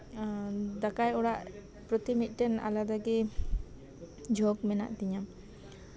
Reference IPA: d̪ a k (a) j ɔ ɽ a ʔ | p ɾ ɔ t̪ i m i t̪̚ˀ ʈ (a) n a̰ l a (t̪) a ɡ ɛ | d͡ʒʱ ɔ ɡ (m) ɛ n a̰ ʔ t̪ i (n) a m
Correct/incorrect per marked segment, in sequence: correct, incorrect: ɛ, incorrect: d̪, correct, incorrect: ɲ

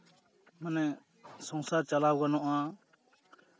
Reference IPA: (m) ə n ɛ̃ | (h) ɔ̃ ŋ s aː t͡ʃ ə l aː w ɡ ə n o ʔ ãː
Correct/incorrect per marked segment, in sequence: correct, incorrect: s

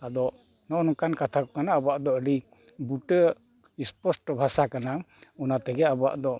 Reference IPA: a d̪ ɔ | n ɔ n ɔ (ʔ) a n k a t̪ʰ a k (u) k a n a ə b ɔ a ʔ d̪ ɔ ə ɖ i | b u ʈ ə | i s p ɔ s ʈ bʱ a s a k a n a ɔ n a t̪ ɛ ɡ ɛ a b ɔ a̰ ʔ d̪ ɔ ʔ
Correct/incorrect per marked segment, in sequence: incorrect: k, incorrect: ɔ

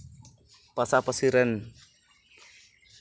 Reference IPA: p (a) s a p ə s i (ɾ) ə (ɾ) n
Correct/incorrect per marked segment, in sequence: correct, correct, incorrect: none

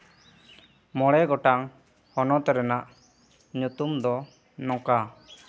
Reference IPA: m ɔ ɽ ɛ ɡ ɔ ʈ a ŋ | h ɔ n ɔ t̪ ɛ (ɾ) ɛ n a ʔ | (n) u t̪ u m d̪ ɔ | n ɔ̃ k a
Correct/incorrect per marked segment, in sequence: correct, incorrect: ɲ

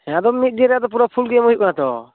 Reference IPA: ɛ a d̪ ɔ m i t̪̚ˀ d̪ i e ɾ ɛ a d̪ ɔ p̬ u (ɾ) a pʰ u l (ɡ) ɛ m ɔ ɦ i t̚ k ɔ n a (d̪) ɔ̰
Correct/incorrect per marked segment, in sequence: correct, correct, incorrect: t̪

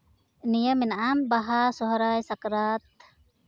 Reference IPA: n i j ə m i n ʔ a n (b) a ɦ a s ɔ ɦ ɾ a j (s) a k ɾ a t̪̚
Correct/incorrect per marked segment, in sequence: correct, correct

